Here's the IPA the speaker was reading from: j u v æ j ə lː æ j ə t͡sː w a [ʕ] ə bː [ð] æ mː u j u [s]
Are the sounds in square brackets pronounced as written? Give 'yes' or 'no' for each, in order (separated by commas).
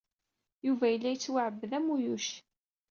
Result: yes, yes, no